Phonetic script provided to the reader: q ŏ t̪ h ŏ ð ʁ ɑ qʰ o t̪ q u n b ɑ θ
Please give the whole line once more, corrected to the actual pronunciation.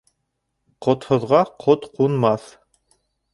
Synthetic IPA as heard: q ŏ t̪ h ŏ ð ʁ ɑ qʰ o t̪ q u n m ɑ θ